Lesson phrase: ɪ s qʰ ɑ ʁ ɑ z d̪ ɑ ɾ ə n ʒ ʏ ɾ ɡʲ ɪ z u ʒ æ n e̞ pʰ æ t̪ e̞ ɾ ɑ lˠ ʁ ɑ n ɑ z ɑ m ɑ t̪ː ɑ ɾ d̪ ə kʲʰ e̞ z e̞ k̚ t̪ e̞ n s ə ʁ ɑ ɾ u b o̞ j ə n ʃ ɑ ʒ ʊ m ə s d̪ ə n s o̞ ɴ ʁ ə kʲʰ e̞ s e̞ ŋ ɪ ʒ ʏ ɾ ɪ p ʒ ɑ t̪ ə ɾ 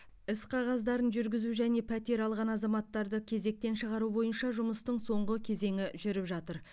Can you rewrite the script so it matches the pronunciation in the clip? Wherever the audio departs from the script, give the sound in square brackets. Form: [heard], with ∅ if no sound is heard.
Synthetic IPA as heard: ɪ s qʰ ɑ ʁ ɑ z d̪ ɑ ɾ ə n ʒ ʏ ɾ ɡʲ ɪ z u ʒ æ n e̞ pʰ æ t̪ e̞ ɾ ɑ lˠ ʁ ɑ n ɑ z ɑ m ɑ t̪ː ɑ ɾ d̪ ə kʲʰ e̞ z e̞ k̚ t̪ e̞ n [ʃ] ə ʁ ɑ ɾ u b o̞ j ə n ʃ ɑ ʒ ʊ m ə s [t̪] ə [ɴ] s o̞ ɴ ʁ ə kʲʰ e̞ [z] e̞ ŋ ɪ ʒ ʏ ɾ ɪ p ʒ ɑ t̪ ə ɾ

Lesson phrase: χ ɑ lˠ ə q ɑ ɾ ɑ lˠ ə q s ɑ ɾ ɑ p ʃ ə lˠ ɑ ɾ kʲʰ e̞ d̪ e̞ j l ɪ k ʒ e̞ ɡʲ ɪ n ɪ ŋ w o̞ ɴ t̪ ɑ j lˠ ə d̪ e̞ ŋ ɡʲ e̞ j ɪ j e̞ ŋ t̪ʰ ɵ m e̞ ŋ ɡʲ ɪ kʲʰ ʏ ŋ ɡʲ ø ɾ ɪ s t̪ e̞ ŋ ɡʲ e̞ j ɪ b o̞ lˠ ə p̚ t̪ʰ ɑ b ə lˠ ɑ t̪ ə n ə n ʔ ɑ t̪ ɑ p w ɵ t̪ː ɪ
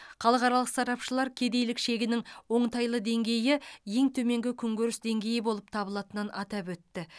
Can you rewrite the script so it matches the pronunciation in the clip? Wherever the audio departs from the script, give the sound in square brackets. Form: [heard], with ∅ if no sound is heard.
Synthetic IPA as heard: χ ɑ lˠ ə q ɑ ɾ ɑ lˠ ə q s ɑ ɾ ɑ p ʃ ə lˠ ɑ ɾ kʲʰ e̞ d̪ e̞ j l ɪ k [ʃ] e̞ ɡʲ ɪ n ɪ ŋ w o̞ ɴ t̪ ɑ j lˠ ə d̪ e̞ ŋ ɡʲ e̞ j ɪ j e̞ ŋ t̪ʰ ɵ m e̞ ŋ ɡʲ ɪ kʲʰ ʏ ŋ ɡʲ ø ɾ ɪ s [d̪] e̞ ŋ ɡʲ e̞ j ɪ b o̞ lˠ ə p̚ t̪ʰ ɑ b ə lˠ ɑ t̪ ə n ə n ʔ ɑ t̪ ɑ p w ɵ t̪ː ɪ

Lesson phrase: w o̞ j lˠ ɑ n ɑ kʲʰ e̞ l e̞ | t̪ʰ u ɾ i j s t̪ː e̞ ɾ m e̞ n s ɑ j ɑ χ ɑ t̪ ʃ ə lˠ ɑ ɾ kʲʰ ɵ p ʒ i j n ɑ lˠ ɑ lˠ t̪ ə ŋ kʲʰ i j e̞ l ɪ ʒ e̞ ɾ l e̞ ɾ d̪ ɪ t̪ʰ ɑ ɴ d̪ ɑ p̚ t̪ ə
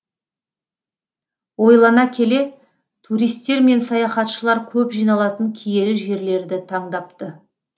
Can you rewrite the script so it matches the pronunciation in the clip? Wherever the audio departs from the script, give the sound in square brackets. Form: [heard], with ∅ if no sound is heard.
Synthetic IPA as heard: w o̞ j lˠ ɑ n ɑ kʲʰ e̞ l e̞ | t̪ʰ u ɾ i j s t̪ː e̞ ɾ m e̞ n s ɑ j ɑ χ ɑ t̪ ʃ ə lˠ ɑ ɾ kʲʰ ɵ p ʒ i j n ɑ lˠ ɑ [∅] t̪ ə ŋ kʲʰ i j e̞ l ɪ ʒ e̞ ɾ l e̞ ɾ d̪ ɪ t̪ʰ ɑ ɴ d̪ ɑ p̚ t̪ ə

